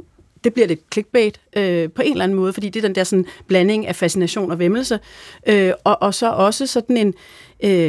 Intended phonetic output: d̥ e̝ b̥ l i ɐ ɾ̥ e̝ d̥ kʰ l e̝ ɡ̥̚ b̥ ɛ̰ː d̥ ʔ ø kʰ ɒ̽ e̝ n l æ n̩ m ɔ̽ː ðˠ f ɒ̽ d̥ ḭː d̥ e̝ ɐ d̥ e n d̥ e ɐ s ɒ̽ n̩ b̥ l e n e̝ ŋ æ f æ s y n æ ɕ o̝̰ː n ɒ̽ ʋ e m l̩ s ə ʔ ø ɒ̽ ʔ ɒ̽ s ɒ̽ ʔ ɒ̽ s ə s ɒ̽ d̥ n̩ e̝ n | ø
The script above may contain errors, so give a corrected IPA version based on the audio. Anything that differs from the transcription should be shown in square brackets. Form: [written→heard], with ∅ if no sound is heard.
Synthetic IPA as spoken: d̥ e̝ b̥ l i ɐ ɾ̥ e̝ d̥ kʰ l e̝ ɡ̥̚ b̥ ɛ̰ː d̥ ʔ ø [kʰ→pʰ] ɒ̽ e̝ n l æ n̩ m ɔ̽ː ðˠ f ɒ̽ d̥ ḭː d̥ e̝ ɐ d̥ e n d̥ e ɐ s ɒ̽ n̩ b̥ l [e→æ] n e̝ ŋ æ f æ s [y→i] n æ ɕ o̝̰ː n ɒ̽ ʋ e m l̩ s ə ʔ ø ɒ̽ ʔ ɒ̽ s ɒ̽ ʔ ɒ̽ s ə s ɒ̽ d̥ n̩ e̝ n | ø